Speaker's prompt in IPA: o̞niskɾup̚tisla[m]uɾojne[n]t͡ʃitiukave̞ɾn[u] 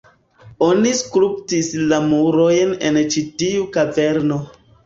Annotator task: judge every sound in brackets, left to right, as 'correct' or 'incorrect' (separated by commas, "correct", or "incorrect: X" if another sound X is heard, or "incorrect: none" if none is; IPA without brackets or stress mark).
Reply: correct, correct, incorrect: o